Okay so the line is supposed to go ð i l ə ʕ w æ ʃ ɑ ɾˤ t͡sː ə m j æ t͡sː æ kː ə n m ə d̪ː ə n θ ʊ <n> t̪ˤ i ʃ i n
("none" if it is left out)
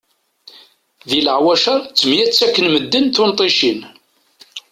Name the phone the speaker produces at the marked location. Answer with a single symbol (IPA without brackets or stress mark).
n